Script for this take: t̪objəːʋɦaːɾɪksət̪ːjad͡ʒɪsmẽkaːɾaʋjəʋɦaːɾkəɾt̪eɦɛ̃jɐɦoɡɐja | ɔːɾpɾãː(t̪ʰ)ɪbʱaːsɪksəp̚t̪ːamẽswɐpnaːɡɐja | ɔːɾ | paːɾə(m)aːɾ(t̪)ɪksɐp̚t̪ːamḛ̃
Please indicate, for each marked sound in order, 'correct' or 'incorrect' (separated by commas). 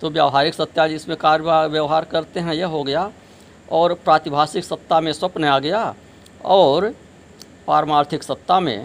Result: incorrect, correct, incorrect